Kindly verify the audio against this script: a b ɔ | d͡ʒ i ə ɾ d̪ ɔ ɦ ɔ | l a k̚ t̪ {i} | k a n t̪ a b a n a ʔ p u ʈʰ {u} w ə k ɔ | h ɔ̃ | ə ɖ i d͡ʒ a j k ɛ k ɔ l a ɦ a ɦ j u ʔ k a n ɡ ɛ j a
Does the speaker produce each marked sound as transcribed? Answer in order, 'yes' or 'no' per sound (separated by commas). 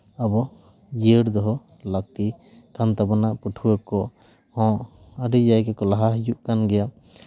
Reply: yes, yes